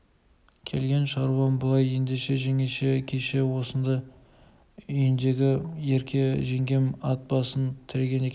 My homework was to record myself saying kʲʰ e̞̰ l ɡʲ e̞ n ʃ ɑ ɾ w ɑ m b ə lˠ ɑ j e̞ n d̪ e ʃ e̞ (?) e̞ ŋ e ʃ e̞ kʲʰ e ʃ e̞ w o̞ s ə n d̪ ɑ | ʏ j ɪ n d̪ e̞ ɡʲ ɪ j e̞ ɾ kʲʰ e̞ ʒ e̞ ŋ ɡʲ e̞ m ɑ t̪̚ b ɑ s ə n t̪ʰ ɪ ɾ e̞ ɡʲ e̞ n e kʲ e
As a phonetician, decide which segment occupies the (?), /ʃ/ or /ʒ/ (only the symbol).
ʒ